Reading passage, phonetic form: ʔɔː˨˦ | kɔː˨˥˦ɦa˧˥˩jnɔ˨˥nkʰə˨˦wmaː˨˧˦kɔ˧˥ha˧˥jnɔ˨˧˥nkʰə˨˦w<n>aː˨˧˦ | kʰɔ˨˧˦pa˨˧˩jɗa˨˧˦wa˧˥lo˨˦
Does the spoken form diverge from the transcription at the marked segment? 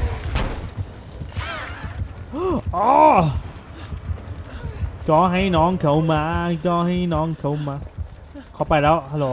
yes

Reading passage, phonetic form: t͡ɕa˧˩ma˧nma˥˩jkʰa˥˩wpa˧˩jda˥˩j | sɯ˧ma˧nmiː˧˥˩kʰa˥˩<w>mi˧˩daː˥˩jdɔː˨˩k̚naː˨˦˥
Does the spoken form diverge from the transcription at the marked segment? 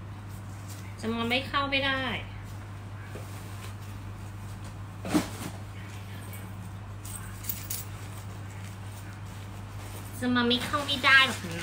no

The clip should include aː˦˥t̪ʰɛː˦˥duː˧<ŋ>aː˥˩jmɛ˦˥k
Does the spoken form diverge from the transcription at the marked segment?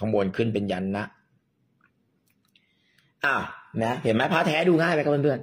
no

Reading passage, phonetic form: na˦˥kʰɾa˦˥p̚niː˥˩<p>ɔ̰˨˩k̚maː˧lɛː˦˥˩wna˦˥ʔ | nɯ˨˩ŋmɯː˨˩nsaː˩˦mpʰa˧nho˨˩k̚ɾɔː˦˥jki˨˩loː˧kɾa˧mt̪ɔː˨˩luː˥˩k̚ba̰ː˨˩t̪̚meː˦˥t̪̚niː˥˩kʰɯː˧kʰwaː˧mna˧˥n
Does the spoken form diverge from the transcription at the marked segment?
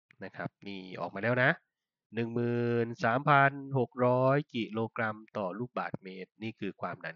yes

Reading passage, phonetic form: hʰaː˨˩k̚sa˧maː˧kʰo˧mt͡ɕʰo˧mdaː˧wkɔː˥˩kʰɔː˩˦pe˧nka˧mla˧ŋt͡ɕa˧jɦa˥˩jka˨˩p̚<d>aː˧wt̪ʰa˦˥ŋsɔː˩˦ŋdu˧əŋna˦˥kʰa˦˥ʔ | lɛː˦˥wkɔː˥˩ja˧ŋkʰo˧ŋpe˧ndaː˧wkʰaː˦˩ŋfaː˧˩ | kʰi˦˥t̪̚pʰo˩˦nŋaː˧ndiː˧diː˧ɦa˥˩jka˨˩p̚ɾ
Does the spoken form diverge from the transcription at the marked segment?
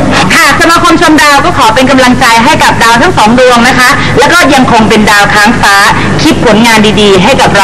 no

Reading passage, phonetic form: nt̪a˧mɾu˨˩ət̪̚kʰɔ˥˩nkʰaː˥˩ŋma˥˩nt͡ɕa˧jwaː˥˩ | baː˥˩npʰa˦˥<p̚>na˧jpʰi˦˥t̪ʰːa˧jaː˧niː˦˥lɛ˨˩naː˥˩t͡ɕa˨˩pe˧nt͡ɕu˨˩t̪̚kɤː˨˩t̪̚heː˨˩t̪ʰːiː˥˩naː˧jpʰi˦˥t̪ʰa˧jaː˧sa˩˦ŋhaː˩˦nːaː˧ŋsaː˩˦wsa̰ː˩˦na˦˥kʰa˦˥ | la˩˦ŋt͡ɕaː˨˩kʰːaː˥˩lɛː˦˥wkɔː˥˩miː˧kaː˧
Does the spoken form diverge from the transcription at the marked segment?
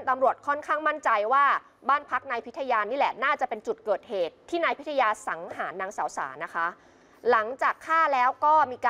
yes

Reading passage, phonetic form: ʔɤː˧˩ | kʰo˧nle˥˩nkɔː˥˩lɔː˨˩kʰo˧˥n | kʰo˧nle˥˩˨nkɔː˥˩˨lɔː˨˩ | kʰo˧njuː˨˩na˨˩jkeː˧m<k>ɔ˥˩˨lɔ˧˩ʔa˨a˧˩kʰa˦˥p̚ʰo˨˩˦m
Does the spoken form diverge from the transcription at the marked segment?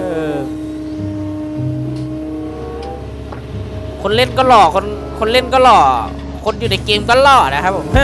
no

